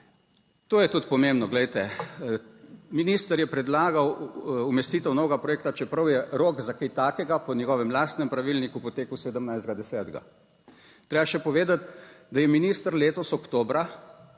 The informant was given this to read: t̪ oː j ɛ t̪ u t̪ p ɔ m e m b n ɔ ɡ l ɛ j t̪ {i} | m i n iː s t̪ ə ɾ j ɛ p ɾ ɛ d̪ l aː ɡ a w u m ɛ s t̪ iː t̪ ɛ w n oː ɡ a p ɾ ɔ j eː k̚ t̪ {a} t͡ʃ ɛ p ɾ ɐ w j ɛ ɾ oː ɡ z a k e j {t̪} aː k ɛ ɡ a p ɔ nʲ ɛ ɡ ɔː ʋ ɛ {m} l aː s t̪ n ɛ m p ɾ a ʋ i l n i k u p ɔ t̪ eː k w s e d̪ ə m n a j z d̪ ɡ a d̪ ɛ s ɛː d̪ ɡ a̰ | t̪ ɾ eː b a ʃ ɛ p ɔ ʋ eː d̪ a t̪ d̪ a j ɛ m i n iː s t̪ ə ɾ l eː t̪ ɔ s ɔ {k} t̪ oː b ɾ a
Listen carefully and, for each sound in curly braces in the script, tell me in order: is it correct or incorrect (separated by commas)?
incorrect, correct, correct, correct, correct